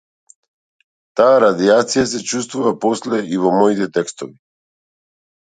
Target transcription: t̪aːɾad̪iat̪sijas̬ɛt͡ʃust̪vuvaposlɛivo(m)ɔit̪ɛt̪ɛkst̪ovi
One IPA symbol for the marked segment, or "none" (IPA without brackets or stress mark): m